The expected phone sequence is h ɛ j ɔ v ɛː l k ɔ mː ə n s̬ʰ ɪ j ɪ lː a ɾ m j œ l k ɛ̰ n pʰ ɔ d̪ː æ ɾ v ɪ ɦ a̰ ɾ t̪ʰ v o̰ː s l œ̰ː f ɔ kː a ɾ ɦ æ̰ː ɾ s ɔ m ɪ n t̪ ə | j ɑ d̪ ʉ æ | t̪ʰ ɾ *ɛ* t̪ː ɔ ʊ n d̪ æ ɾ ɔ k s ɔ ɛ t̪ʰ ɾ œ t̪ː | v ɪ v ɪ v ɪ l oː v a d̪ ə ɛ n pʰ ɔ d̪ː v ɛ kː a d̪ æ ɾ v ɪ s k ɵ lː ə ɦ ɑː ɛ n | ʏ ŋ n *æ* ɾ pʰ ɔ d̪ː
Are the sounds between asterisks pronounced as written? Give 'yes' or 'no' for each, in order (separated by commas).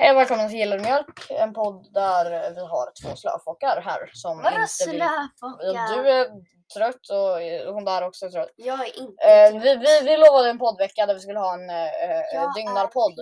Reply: no, no